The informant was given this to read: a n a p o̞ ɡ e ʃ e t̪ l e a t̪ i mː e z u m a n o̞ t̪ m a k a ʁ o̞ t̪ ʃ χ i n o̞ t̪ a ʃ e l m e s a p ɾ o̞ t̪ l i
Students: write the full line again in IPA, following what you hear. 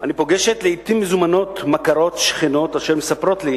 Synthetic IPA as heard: a n i p o̞ ɡ e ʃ e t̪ l e i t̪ i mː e z u m a n o̞ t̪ m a k a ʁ o̞ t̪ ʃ χ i n o̞ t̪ a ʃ e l m e s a p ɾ o̞ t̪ l i